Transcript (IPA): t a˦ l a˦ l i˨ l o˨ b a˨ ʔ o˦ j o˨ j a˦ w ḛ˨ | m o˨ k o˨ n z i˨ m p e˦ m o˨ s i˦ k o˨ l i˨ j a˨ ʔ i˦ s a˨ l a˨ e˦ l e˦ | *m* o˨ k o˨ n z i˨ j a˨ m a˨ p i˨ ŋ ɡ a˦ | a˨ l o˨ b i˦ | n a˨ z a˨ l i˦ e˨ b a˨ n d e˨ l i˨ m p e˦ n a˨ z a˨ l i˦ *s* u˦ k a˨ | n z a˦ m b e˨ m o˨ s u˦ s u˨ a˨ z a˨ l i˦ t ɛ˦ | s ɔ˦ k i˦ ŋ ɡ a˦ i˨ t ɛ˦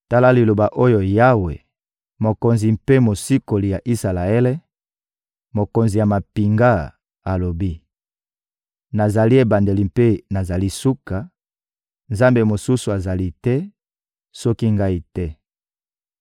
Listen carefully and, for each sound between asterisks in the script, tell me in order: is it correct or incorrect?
correct, correct

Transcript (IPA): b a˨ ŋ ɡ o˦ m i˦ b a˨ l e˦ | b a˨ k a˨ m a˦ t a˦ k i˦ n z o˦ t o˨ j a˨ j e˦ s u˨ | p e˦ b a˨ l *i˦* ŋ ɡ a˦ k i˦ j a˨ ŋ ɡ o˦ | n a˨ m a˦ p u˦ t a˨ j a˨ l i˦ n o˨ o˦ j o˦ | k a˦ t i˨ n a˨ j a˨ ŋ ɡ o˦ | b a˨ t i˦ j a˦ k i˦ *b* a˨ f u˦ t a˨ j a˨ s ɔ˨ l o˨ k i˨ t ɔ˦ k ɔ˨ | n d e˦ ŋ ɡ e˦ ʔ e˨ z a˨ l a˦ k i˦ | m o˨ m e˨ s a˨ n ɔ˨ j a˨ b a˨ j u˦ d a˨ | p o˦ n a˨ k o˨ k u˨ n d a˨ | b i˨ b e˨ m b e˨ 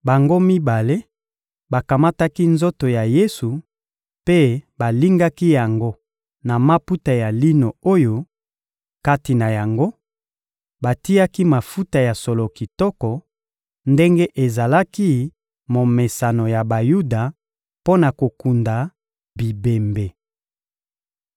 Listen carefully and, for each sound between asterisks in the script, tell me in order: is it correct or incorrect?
correct, incorrect: m

